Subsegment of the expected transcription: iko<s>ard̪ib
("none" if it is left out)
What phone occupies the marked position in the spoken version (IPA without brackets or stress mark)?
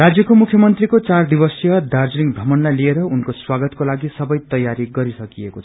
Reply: t͡s